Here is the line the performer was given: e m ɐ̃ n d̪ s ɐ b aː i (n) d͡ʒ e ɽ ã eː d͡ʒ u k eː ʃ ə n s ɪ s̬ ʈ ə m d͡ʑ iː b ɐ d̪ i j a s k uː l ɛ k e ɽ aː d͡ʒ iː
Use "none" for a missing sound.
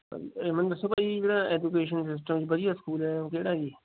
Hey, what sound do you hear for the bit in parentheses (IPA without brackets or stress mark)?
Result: none